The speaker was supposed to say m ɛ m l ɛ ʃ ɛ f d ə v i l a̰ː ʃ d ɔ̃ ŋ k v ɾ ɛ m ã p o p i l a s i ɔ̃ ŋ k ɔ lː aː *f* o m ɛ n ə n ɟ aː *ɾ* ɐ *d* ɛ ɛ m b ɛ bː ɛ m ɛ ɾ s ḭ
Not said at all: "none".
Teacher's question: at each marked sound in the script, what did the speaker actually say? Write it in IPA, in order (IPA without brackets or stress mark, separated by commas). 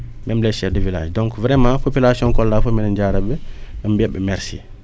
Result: f, ɾ, b